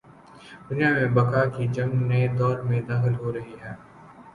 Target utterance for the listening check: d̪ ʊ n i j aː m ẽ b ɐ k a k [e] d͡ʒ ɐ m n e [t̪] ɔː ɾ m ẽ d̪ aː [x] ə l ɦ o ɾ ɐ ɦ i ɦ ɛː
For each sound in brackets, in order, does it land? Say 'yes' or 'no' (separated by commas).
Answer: no, no, yes